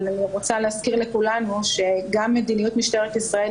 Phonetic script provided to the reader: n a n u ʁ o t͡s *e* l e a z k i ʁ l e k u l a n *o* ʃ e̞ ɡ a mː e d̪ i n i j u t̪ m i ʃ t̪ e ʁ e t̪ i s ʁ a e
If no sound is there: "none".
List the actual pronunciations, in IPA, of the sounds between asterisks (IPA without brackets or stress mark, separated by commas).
a, u